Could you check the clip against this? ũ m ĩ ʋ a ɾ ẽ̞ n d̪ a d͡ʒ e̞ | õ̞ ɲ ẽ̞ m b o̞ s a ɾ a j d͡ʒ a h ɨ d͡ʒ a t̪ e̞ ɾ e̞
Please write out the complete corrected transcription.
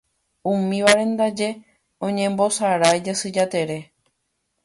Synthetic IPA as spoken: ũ m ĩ ʋ a ɾ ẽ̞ n d̪ a d͡ʒ e̞ | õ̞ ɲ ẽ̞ m b o̞ s a ɾ a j d͡ʒ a s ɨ d͡ʒ a t̪ e̞ ɾ e̞